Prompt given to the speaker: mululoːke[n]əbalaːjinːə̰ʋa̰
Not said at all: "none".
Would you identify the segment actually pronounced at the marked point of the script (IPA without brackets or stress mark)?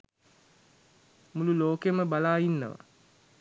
m